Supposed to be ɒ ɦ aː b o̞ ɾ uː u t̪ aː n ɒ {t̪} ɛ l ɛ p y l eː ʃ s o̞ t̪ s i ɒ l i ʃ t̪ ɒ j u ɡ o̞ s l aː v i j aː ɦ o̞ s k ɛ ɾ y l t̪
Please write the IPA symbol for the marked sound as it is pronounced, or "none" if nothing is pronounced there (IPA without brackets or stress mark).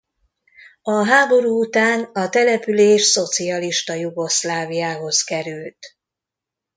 t̪